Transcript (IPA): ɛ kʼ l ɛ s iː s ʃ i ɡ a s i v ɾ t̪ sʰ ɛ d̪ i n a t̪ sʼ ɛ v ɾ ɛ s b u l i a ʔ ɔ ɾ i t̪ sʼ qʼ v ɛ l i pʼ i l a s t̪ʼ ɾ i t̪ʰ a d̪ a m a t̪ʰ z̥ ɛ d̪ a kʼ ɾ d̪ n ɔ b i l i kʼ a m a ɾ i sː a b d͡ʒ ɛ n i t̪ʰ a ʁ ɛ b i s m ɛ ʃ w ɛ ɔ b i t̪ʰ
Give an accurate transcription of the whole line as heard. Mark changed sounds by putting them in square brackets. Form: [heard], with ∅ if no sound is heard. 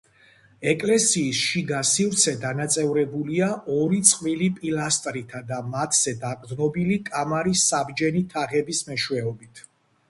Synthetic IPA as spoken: ɛ kʼ l ɛ s iː s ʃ i ɡ a s i v ɾ t̪ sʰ ɛ d̪ [a] n a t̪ sʼ ɛ v ɾ ɛ [∅] b u l i a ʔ ɔ ɾ i t̪ sʼ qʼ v [i] l i pʼ i l a s t̪ʼ ɾ i t̪ʰ a d̪ a m a t̪ʰ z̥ ɛ d̪ a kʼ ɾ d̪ n ɔ b i l i kʼ a m a ɾ i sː a b d͡ʒ ɛ n i t̪ʰ a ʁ ɛ b i s m ɛ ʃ w ɛ ɔ b i t̪ʰ